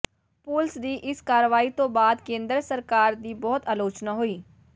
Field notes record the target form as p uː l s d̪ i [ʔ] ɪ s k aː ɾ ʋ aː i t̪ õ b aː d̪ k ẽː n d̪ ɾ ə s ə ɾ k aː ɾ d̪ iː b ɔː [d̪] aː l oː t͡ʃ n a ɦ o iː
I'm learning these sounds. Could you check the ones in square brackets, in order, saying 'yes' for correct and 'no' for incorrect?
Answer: yes, no

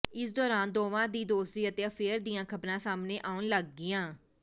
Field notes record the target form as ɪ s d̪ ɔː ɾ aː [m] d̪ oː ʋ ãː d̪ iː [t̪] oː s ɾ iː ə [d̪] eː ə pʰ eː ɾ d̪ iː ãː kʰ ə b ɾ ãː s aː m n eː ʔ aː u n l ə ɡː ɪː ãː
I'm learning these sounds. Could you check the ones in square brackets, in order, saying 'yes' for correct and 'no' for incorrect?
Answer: no, no, no

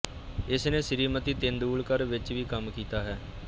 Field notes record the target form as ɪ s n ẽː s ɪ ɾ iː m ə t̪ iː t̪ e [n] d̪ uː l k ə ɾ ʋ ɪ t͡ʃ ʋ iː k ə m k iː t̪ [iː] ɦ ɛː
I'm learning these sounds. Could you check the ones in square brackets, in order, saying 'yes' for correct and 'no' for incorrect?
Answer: yes, no

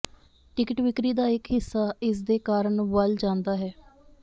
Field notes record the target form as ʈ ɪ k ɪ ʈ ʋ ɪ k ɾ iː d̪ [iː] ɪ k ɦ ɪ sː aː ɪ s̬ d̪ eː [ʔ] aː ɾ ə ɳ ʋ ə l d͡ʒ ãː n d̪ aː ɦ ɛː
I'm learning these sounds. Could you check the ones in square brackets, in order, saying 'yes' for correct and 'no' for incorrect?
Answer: no, no

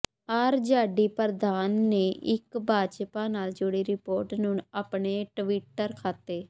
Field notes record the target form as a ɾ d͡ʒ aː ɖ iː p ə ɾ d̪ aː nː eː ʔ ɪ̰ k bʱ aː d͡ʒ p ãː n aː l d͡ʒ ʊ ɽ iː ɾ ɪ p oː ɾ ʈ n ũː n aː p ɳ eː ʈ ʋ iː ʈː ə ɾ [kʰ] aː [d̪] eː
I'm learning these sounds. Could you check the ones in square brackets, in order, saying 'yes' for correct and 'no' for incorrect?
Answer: yes, no

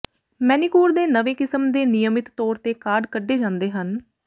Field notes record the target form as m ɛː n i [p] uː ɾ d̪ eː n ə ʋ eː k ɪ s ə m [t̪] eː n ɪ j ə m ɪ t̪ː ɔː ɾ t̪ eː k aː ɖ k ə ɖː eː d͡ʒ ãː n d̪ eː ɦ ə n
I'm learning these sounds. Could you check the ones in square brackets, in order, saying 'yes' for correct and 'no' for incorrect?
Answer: no, no

